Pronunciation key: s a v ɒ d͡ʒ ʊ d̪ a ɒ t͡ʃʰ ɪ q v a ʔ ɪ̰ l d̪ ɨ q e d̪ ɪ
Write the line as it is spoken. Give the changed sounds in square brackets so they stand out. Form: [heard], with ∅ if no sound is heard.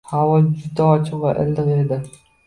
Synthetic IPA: [h] a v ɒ d͡ʒ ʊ d̪ a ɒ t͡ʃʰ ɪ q v a ʔ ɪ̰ l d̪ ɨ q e d̪ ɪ